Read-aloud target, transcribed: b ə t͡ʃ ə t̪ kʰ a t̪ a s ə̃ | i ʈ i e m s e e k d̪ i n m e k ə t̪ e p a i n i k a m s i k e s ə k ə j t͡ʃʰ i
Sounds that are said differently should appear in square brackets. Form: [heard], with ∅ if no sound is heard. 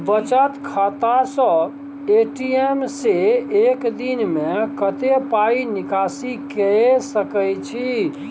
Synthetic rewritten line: b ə t͡ʃ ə t̪ kʰ a t̪ a s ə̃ | [e] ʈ i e m s e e k d̪ i n m e k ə t̪ e p a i n i k a [∅] s i k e s ə k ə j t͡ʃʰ i